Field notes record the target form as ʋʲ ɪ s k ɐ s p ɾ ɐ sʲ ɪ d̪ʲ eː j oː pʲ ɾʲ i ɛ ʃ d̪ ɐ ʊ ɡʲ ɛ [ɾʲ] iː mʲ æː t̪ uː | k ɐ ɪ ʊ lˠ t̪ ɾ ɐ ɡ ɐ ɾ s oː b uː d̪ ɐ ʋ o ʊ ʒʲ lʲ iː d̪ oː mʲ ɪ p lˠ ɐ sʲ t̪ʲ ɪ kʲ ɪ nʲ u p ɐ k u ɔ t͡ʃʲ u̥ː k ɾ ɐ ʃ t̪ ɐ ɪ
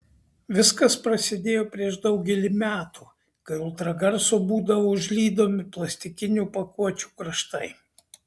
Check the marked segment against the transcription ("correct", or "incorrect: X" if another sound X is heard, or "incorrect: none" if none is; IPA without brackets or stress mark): incorrect: lʲ